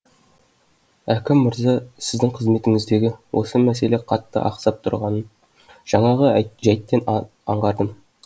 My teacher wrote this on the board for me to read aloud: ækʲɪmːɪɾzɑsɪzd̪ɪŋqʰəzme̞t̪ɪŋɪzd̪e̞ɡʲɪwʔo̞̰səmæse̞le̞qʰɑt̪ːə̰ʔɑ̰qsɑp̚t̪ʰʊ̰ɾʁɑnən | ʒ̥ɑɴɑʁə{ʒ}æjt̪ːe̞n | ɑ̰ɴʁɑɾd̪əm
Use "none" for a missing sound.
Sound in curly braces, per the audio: ʒ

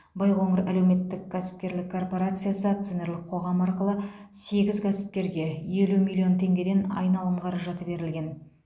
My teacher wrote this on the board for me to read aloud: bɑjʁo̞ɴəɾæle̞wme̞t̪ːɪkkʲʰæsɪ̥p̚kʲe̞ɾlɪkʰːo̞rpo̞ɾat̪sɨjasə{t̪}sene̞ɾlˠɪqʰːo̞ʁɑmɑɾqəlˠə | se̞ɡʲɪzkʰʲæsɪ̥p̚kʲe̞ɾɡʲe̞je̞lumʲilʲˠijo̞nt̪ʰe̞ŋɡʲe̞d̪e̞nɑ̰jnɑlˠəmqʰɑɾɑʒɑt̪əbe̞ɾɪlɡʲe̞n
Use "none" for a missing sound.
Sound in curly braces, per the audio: t̪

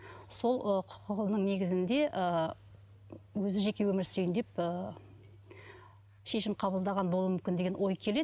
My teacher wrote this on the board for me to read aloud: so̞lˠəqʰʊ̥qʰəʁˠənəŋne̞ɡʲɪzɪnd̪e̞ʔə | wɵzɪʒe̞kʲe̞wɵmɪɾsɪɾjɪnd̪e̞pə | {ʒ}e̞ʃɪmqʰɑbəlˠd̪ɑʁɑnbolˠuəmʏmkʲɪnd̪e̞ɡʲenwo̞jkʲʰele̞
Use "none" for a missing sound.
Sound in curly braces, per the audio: ʃ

